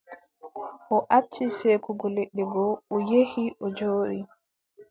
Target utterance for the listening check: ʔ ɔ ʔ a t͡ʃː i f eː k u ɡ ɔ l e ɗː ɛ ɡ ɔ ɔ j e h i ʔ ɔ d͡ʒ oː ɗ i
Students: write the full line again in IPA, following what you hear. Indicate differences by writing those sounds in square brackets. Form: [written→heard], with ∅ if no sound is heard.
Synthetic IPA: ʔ ɔ ʔ a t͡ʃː i [f→s] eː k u ɡ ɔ l e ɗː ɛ ɡ ɔ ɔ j e h i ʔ ɔ d͡ʒ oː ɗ i

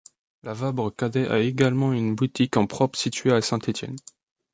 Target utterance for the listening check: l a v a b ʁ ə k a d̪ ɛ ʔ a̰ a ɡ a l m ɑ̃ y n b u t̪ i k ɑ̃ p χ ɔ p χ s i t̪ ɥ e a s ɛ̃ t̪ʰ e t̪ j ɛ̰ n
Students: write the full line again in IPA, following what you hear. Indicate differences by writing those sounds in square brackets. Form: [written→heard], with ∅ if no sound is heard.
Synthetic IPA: l a v a b ʁ ə k a d̪ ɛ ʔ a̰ [a→e] ɡ a l m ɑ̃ y n b u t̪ i k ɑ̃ p χ ɔ p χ s i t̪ ɥ e a s ɛ̃ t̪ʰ e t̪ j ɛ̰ n

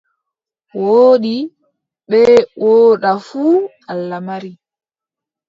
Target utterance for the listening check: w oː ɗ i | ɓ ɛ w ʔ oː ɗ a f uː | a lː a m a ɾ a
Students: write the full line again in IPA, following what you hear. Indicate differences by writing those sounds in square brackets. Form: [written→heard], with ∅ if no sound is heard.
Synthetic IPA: w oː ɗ i | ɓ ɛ w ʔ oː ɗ a f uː | a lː a m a ɾ [a→i]

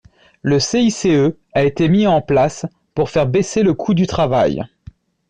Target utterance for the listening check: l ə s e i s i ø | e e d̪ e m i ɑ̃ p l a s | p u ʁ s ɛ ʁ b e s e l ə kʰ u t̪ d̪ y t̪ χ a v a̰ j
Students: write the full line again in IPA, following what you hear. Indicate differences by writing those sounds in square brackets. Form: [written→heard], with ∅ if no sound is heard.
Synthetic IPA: l ə s e i s [i→e] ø | [e→a] e [d̪→t̪] e m i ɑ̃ p l a s | p u ʁ [s→f] ɛ ʁ b e s e l ə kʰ u [t̪→∅] d̪ y t̪ χ a v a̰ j

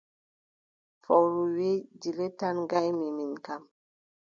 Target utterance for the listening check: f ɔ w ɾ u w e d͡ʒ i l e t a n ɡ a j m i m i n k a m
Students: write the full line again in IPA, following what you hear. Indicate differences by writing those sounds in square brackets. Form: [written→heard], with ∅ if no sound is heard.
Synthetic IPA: f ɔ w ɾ u w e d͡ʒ i l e t a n ɡ a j m i m i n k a m

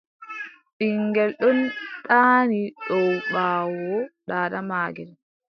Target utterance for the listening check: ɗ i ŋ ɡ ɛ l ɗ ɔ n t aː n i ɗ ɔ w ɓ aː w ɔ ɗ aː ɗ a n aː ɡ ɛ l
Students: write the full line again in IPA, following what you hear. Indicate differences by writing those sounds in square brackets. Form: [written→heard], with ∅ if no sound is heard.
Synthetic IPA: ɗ i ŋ ɡ ɛ l ɗ ɔ n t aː n i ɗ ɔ w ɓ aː w ɔ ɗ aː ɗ a [n→m] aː ɡ ɛ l

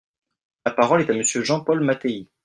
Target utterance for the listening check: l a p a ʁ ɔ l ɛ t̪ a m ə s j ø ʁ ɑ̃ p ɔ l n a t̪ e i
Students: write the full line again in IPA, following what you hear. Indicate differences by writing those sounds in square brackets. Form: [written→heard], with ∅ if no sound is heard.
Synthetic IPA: l a p a ʁ ɔ l ɛ t̪ a m ə s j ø [ʁ→ʒ] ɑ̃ p ɔ l [n→m] a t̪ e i

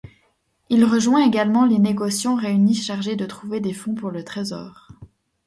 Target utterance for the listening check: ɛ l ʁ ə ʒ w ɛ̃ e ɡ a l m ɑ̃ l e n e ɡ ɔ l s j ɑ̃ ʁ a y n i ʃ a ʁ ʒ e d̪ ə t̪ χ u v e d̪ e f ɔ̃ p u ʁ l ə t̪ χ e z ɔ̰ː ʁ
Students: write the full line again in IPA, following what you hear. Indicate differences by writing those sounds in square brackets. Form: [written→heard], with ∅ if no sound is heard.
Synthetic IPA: [ɛ→i] l ʁ ə ʒ w ɛ̃ e ɡ a l m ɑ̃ l e n e ɡ ɔ [l→∅] s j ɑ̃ ʁ [a→e] y n i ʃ a ʁ ʒ e d̪ ə t̪ χ u v e d̪ e f ɔ̃ p u ʁ l ə t̪ χ e z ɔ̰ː ʁ

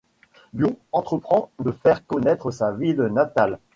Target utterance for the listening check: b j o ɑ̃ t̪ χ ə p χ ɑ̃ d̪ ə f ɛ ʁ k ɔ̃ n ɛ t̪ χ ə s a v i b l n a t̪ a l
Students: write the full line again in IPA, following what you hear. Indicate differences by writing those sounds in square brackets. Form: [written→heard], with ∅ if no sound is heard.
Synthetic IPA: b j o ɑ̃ t̪ χ ə p χ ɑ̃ d̪ ə f ɛ ʁ k [ɔ̃→ɔ] n ɛ t̪ χ ə s a v i [b→∅] l n a t̪ a l

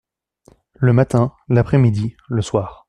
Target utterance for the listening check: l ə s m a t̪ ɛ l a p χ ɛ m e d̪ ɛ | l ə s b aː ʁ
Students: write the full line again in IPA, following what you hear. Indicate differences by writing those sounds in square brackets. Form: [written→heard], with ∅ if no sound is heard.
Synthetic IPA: l ə [s→∅] m a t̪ [ɛ→ɛ̃] l a p χ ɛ m [e→i] d̪ [ɛ→i] | l ə s [b→w] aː ʁ

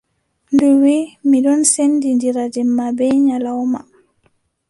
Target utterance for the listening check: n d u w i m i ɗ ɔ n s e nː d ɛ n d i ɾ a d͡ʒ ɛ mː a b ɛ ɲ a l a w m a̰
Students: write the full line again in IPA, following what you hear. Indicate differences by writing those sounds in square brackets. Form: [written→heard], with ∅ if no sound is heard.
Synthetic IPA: n d u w i m i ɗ ɔ n s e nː d [ɛ→i] n d i ɾ a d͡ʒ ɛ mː a b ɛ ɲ a l a w m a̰

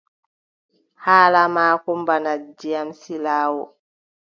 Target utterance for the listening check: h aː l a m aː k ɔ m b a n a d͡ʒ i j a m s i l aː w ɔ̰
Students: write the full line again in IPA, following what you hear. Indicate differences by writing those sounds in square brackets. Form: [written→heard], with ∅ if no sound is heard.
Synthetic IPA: h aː l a m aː k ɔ m b a n a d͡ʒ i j a m s i l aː w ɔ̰

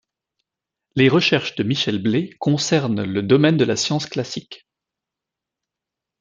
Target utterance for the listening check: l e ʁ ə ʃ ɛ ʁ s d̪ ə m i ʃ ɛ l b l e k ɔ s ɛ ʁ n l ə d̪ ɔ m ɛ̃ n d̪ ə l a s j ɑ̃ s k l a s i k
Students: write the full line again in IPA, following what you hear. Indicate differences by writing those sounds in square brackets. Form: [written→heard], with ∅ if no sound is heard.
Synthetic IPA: l e ʁ ə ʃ ɛ ʁ [s→ʃ] d̪ ə m i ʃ ɛ l b l e k [ɔ→ɔ̃] s ɛ ʁ n l ə d̪ ɔ m [ɛ̃→ɛ] n d̪ ə l a s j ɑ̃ s k l a s i k

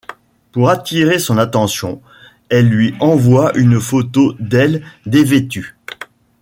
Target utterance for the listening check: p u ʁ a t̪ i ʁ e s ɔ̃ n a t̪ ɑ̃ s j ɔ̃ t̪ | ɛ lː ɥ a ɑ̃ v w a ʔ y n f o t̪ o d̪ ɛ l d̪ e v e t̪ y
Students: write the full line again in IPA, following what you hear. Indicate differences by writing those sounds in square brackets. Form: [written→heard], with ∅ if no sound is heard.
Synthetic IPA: p u ʁ a t̪ i ʁ e s ɔ̃ n a t̪ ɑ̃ s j ɔ̃ [t̪→∅] | ɛ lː ɥ [a→i] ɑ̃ v w a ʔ y n f o t̪ o d̪ ɛ l d̪ e v e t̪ y

